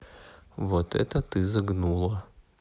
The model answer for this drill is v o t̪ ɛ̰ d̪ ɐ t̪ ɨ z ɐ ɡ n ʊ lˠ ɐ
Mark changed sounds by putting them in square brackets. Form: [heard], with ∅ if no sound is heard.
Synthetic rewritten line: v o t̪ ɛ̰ [t̪] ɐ t̪ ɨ z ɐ ɡ n [u] lˠ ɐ